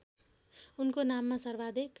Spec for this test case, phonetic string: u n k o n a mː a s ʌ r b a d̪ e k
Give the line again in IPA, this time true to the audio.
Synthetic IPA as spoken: u n k o n a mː a s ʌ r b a d̪ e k